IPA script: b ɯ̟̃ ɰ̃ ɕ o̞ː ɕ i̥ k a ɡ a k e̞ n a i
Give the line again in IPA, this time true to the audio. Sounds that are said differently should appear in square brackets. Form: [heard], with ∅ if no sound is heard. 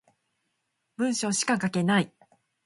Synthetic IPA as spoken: b ɯ̟̃ ɰ̃ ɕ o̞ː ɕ i̥ k a [k] a k e̞ n a i